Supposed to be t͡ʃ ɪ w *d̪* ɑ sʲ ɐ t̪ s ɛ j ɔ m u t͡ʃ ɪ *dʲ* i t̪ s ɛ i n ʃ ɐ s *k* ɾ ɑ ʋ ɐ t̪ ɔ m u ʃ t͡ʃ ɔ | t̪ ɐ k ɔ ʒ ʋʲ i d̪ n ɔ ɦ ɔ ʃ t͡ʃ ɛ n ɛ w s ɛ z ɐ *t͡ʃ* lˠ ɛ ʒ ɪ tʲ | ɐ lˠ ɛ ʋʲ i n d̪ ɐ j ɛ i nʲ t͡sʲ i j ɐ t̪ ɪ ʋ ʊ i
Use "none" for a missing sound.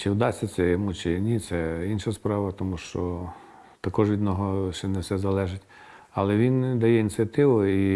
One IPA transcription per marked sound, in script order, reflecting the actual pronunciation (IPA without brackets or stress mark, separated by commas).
d̪, nʲ, p, none